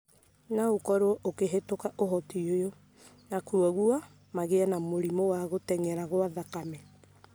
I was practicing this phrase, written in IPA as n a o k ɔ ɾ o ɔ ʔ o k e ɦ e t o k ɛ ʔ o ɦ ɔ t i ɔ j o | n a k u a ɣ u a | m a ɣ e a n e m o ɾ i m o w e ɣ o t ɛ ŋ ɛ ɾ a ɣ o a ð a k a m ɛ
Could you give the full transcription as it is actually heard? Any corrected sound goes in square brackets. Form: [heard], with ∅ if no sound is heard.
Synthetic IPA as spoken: n a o k ɔ ɾ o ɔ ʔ o k e ɦ e t o k [a] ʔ o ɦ ɔ t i [o] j o | n a k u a ɣ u a | m a ɣ e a n [a] m o ɾ i m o w [a] ɣ o t ɛ ŋ ɛ ɾ a ɣ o a ð a k a m ɛ